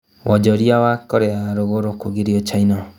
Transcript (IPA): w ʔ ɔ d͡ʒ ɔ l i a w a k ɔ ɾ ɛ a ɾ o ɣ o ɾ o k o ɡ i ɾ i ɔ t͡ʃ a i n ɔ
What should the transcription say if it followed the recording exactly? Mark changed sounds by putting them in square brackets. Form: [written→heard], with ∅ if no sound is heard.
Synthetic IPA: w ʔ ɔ d͡ʒ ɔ [l→ɾ] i a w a k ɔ ɾ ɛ a ɾ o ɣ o ɾ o k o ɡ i ɾ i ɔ t͡ʃ a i n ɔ